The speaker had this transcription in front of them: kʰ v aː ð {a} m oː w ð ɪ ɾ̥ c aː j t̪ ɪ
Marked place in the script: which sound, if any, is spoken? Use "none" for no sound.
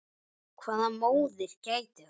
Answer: a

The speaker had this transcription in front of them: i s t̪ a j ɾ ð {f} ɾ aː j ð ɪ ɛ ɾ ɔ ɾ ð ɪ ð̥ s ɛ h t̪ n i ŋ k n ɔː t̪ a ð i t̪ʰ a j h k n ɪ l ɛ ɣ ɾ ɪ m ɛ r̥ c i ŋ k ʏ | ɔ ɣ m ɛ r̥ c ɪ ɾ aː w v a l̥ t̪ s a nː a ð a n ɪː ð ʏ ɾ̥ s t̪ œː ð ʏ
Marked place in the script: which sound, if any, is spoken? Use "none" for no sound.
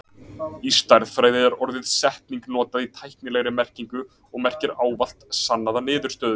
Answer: f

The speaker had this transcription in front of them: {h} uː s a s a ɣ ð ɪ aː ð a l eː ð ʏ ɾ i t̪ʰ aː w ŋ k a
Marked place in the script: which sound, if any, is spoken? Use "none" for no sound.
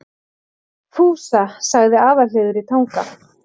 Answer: f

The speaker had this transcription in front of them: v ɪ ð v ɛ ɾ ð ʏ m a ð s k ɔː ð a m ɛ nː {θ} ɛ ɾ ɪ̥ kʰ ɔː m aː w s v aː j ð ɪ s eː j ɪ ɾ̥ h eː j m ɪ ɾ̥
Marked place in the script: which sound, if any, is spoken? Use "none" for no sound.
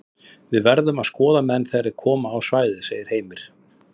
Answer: θ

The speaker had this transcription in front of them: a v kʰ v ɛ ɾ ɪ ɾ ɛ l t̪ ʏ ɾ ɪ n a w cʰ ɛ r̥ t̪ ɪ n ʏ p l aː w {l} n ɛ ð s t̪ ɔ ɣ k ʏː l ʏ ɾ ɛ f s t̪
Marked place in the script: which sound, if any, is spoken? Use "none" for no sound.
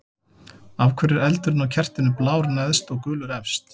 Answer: ɾ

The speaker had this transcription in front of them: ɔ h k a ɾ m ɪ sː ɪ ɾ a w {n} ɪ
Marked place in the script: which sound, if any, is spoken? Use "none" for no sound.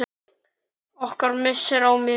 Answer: m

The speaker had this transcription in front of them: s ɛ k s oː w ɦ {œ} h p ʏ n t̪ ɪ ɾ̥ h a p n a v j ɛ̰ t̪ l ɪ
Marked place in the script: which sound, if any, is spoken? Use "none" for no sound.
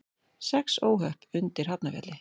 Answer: œ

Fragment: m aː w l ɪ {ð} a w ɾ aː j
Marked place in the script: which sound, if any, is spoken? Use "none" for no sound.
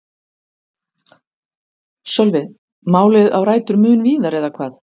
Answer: ð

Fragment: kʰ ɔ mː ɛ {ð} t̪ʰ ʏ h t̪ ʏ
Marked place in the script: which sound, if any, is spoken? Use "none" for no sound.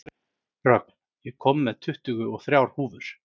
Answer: ð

